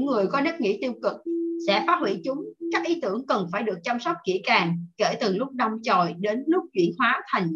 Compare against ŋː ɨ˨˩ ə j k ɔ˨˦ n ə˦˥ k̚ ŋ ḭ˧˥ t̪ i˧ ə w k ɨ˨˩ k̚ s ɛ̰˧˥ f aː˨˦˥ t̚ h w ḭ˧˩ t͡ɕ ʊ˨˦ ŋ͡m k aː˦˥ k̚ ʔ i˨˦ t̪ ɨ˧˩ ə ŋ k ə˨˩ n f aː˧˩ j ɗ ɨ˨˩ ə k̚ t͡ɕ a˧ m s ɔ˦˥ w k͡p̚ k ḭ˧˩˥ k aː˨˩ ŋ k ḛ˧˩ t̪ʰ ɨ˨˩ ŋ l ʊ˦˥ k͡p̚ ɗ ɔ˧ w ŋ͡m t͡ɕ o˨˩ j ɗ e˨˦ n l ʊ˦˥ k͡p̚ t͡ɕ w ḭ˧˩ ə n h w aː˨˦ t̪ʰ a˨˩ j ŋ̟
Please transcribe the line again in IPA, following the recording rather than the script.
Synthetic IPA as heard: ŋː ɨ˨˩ ə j k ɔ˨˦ n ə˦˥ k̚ ŋ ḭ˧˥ t̪ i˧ ə w k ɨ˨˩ k̚ s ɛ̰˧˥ f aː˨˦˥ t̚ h w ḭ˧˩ t͡ɕ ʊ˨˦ ŋ͡m k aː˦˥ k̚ ʔ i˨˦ t̪ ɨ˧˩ ə ŋ k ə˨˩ n f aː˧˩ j ɗ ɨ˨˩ ə k̚ t͡ɕ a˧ m s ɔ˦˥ w k͡p̚ k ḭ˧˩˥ k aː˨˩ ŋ k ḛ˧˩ t̪ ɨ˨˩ ŋ l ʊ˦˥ k͡p̚ ɗ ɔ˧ w ŋ͡m t͡ɕ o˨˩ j ɗ e˨˦ n l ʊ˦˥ k͡p̚ t͡ɕ w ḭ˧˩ ə n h w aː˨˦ t̪ʰ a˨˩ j ŋ̟